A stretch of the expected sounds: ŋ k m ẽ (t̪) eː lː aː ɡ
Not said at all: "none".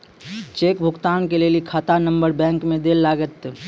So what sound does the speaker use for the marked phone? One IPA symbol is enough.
d̪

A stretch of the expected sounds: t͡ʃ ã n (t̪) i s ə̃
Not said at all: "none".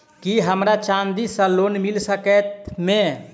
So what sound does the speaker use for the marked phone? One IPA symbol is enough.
d̪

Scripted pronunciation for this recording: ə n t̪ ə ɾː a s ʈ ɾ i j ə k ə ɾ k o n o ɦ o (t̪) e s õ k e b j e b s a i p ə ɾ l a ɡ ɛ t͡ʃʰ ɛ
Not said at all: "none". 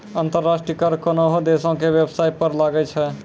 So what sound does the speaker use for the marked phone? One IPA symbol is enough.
d̪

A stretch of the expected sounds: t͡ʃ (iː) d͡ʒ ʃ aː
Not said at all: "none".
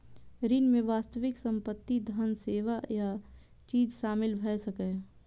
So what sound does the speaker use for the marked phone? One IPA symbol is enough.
iː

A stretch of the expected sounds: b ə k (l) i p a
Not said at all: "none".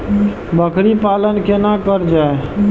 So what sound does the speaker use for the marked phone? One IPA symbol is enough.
ɾ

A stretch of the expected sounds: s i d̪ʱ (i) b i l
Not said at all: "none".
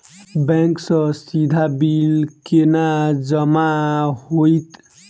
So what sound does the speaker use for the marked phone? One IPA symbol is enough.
a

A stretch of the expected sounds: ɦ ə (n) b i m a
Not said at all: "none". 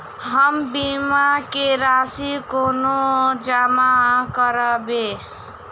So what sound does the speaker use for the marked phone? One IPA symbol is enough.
m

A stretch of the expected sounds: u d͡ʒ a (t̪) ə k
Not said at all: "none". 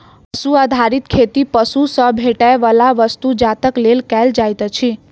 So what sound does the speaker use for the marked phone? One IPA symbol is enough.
t̪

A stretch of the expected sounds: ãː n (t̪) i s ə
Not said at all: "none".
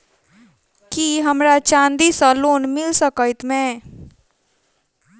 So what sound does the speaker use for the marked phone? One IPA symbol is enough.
d̪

